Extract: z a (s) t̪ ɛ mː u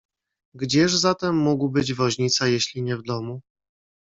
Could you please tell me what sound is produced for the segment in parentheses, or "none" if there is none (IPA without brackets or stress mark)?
none